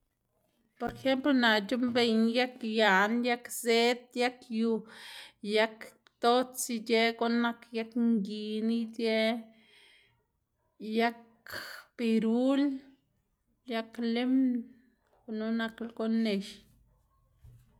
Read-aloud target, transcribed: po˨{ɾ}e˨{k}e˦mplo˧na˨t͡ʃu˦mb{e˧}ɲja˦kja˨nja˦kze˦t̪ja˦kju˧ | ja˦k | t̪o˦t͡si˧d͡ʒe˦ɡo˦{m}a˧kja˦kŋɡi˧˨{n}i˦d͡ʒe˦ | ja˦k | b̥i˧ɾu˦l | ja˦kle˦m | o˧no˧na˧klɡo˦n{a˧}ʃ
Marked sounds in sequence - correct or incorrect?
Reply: correct, incorrect, correct, incorrect, correct, incorrect

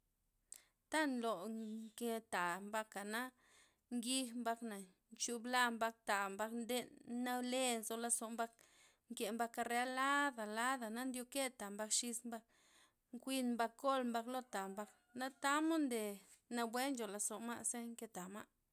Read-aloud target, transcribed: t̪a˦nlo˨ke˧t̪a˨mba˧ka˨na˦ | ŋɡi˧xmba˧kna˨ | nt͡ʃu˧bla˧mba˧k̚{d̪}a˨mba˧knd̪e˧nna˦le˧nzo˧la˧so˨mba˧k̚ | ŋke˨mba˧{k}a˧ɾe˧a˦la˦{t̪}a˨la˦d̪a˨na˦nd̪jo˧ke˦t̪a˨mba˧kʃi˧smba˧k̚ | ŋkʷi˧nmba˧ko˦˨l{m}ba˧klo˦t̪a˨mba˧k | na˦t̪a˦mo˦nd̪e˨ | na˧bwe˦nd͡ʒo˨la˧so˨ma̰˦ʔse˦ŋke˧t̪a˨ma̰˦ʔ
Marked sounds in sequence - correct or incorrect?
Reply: incorrect, correct, incorrect, correct

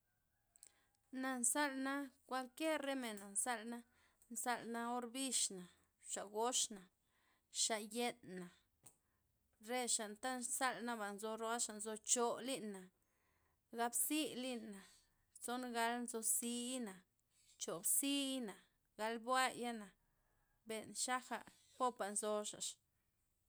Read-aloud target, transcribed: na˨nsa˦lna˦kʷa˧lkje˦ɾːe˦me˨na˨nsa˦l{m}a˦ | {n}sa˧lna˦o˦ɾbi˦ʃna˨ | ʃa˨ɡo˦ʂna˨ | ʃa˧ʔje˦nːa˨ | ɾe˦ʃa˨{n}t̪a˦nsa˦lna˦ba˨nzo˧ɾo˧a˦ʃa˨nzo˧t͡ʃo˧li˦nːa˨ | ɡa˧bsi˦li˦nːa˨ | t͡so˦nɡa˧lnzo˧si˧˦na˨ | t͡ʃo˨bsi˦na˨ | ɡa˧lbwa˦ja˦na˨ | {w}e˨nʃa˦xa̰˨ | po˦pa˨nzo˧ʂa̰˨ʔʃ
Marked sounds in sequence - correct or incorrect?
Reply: incorrect, correct, correct, incorrect

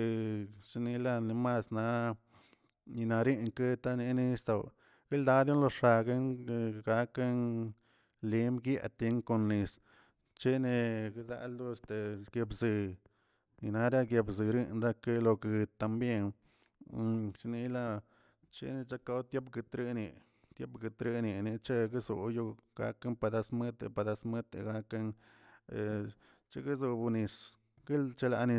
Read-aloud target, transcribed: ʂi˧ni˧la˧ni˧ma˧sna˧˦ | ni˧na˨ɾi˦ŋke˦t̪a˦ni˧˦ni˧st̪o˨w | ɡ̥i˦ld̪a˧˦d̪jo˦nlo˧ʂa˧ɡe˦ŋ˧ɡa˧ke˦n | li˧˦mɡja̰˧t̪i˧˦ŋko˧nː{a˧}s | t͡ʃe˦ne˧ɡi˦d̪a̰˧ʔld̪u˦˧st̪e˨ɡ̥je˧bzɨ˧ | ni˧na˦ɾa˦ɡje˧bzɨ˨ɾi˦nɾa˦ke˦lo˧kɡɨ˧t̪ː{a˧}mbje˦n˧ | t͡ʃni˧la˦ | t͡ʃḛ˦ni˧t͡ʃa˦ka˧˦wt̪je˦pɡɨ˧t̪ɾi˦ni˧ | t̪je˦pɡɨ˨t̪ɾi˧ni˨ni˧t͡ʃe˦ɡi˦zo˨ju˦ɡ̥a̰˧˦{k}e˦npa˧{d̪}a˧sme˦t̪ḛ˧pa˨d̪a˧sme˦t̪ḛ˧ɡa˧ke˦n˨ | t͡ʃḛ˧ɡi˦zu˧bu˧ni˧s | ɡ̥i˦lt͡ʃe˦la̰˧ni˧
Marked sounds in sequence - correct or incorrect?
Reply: incorrect, correct, correct, correct

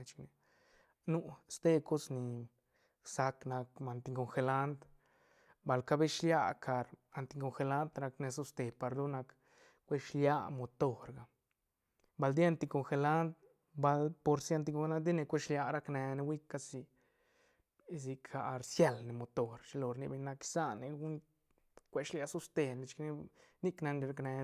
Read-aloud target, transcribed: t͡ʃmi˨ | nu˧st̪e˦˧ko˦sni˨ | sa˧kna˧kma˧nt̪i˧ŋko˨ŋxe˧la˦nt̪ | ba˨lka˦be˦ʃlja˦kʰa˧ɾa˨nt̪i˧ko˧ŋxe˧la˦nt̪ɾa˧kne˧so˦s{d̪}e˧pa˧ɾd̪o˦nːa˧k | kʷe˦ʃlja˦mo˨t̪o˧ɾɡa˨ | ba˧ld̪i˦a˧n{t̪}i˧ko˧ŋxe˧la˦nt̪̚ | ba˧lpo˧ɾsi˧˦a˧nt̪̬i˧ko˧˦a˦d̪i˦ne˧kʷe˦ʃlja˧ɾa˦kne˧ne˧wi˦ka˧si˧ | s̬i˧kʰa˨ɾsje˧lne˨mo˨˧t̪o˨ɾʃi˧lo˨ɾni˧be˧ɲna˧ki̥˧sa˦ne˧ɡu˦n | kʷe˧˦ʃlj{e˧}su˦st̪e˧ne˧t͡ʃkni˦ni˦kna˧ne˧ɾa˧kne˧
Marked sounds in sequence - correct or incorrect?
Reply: incorrect, correct, incorrect

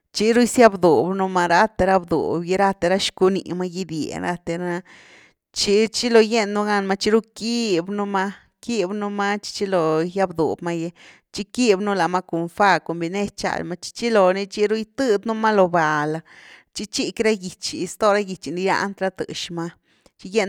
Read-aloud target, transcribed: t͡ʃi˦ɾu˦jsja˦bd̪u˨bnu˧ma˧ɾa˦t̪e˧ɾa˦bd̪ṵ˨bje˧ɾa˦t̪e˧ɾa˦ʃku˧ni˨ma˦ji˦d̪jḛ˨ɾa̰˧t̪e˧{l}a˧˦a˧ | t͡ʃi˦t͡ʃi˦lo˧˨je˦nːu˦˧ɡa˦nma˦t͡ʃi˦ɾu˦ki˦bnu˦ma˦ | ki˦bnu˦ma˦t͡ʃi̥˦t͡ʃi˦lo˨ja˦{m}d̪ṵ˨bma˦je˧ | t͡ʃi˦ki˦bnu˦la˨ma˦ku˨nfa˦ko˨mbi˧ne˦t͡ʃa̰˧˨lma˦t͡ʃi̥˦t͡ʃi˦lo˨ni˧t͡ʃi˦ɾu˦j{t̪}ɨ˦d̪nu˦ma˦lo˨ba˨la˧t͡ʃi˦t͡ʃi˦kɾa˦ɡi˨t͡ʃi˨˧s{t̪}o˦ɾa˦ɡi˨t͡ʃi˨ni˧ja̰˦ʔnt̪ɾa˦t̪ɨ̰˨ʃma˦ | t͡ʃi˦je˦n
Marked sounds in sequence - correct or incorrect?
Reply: incorrect, incorrect, correct, correct

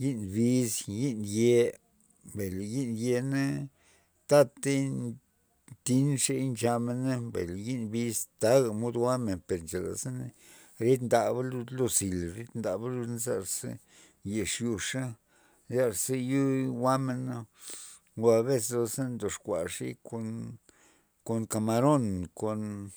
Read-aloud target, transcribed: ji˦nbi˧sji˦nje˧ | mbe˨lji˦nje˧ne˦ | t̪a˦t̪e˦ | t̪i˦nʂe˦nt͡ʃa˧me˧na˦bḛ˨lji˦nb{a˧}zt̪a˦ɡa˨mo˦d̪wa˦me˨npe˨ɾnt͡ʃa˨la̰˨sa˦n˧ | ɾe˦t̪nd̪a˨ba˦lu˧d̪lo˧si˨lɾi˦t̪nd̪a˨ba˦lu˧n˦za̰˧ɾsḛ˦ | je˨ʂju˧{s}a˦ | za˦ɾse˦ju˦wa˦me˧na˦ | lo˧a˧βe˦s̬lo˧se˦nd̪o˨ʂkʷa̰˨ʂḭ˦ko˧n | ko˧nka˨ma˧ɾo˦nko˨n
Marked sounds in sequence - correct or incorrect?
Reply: incorrect, incorrect

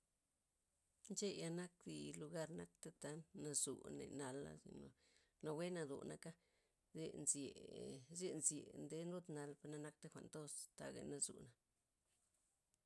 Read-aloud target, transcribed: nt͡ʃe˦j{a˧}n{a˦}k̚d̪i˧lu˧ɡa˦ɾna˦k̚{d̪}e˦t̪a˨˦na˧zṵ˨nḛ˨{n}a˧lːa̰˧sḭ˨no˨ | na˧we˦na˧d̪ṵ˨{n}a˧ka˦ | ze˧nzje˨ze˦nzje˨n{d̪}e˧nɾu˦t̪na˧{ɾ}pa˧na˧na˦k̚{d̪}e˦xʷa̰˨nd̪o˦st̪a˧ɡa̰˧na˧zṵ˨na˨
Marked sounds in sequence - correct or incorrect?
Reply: correct, correct, incorrect, correct, correct, correct, incorrect, incorrect

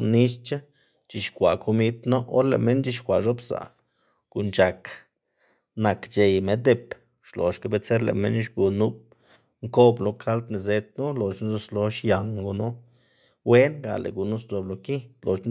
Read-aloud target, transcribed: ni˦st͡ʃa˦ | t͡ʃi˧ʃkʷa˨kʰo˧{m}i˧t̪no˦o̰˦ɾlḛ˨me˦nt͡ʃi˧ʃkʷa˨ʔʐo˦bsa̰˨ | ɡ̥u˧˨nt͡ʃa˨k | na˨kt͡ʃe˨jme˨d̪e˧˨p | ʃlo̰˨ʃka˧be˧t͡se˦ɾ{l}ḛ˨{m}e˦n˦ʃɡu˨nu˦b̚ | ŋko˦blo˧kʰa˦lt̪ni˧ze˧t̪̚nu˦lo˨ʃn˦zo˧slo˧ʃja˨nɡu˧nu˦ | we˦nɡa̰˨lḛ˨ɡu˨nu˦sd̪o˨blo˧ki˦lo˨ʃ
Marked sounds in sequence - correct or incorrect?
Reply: correct, correct, correct

